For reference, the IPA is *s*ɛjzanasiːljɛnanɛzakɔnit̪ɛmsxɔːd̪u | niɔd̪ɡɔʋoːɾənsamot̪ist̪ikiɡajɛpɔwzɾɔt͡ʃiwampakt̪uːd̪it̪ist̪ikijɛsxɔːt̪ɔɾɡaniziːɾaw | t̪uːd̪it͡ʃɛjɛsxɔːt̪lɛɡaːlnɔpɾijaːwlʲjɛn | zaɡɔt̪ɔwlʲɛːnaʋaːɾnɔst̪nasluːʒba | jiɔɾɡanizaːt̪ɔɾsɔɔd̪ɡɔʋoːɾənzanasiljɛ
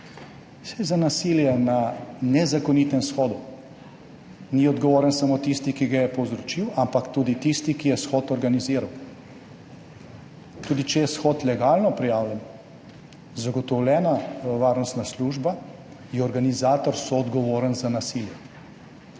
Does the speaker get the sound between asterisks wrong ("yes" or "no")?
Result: no